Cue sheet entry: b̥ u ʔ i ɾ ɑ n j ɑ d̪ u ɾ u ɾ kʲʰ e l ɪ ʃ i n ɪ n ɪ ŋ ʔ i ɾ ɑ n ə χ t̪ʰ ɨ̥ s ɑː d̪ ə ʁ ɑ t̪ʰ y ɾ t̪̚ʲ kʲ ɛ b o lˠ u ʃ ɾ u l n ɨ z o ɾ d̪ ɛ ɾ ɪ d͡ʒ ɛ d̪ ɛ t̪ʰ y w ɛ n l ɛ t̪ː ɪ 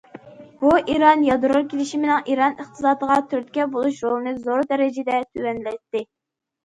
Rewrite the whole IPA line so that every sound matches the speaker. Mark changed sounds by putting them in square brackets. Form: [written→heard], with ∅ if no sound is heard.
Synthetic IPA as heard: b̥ u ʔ i ɾ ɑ n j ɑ d̪ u ɾ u ɾ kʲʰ e l ɪ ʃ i [n→m] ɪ n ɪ ŋ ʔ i ɾ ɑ n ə χ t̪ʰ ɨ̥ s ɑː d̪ ə ʁ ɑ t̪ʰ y ɾ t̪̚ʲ kʲ ɛ b o lˠ u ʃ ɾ [u→o] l n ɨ z o ɾ d̪ ɛ ɾ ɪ d͡ʒ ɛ d̪ ɛ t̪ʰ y w ɛ n l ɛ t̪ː ɪ